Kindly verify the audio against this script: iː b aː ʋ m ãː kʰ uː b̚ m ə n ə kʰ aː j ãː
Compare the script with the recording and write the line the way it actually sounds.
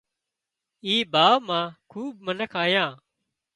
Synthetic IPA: iː b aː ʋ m ãː kʰ uː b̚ m ə n ə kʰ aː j ãː